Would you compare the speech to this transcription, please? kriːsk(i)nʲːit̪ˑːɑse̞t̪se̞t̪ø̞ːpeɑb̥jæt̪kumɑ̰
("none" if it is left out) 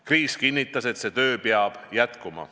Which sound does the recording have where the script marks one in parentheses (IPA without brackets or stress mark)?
i